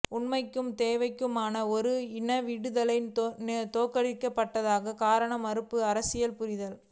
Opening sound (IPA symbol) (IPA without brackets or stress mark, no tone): ʊ